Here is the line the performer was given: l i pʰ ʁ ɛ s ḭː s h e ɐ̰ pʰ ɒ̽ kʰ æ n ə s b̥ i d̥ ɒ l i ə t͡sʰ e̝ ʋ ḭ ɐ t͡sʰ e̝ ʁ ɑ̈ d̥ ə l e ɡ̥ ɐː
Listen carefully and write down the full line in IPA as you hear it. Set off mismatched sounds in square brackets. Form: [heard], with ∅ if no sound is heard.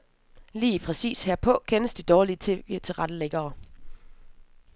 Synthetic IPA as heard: l [iː] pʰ ʁ ɛ s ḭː s h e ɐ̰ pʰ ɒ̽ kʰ [e] n ə s [d̥] i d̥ [ɒː] l i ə t͡sʰ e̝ ʋ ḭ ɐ t͡sʰ e̝ ʁ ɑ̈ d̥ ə l e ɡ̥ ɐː